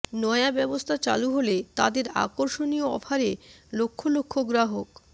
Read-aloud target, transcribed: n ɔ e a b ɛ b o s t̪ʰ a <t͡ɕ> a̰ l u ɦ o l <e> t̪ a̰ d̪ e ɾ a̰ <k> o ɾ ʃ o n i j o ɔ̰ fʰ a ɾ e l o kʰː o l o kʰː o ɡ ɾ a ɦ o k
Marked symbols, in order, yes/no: yes, yes, yes

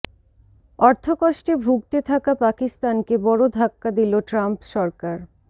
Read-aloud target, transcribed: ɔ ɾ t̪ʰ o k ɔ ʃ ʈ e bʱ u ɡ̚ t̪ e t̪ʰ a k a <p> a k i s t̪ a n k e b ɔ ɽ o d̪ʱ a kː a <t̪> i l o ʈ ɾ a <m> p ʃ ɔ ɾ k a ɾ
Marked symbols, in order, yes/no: yes, no, yes

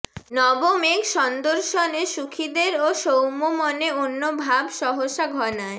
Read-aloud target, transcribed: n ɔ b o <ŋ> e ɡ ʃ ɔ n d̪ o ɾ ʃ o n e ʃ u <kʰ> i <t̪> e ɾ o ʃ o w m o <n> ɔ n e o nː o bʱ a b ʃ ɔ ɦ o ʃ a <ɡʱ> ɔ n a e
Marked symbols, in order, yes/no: no, yes, no, no, yes

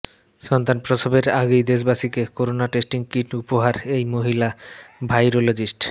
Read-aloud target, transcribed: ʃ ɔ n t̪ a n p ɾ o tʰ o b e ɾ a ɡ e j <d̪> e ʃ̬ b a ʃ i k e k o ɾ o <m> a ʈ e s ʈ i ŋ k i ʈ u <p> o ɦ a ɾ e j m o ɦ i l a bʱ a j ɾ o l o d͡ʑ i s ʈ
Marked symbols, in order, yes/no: yes, no, yes

